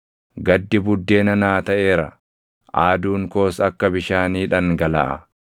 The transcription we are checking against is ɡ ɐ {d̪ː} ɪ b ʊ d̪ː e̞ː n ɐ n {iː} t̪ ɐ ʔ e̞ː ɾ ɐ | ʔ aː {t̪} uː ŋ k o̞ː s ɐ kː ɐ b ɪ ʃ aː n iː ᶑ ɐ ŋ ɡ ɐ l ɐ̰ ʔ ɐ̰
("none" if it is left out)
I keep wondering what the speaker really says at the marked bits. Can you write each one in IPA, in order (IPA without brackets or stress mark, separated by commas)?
d̪ː, aː, d̪